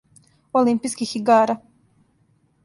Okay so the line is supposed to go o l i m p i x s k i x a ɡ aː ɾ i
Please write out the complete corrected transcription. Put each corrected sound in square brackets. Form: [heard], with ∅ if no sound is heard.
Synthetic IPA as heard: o l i m p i [∅] s k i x [i] ɡ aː ɾ [a]